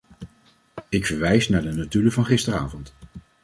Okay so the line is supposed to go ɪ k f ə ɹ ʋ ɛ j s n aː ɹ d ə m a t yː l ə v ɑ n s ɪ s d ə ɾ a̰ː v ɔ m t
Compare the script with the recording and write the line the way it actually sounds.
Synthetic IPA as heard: ɪ k f ə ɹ ʋ ɛ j s n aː ɹ d ə n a t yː l ə v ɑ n χ ɪ s t ə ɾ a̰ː v ɔ n t

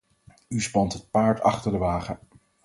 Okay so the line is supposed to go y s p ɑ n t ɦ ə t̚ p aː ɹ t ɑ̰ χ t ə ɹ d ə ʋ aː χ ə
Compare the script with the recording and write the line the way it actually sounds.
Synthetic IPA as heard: y s p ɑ n t ɦ ə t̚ p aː ɹ t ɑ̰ χ t ə ɹ d ə ʋ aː χ ə

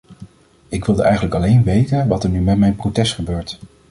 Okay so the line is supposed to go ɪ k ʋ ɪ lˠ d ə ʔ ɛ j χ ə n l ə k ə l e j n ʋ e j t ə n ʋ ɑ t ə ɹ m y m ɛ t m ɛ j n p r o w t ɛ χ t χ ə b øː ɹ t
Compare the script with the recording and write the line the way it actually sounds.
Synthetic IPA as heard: ɪ k ʋ ɪ lˠ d ə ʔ ɛ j χ ə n l ə k ɑ l e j n ʋ e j t ə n ʋ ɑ t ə ɹ n y m ɛ t m ɛ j n p r o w t ɛ s t χ ə b øː ɹ t

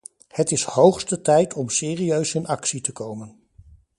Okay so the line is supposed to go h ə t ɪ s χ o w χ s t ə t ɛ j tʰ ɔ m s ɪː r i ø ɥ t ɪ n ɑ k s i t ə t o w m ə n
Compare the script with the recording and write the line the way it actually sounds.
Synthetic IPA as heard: h ə t ɪ s h o w χ s t ə t ɛ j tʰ ɔ m s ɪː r i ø ɥ s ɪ n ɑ k s i t ə k o w m ə n

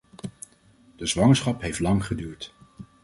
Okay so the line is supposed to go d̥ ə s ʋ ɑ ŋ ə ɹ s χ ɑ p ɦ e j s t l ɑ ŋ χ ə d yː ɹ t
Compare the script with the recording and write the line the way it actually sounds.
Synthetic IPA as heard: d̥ ə z ʋ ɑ ŋ ə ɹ s χ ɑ p ɦ e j f t l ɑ ŋ χ ə d yː ɹ t

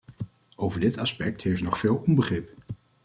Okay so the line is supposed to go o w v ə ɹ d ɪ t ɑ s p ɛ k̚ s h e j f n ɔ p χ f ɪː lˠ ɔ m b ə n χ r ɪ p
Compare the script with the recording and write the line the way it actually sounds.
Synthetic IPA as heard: o w v ə ɹ d ɪ t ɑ s p ɛ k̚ t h e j f n ɔ χ f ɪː lˠ ɔ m b ə χ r ɪ p

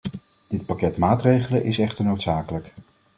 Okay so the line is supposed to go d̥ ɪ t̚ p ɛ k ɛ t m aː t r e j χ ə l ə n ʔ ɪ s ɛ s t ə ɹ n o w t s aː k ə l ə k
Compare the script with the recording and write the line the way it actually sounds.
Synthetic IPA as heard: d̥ ɪ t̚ p a k ɛ t m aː t r e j χ ə l ə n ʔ ɪ s ɛ χ t ə ɹ n o w t s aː k ə l ə k

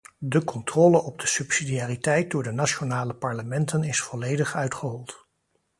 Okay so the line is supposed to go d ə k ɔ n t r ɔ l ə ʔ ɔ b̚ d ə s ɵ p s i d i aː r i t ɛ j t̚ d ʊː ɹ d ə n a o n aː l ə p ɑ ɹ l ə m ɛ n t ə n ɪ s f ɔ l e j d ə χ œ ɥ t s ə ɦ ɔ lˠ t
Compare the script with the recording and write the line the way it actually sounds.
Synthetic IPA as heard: d ə k ɔ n t r ɔ l ə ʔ ɔ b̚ d ə s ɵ p s i d i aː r i t ɛ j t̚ d ʊː ɹ d ə n a o n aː l ə p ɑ ɹ l ə m ɛ n t ə n ɪ s f ɔ l e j d ə χ œ ɥ t χ ə ɦ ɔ lˠ t

